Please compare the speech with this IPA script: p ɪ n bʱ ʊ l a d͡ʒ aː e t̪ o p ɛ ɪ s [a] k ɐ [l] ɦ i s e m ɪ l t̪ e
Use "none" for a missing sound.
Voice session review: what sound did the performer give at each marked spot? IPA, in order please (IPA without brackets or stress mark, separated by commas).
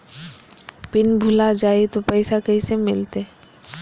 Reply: a, none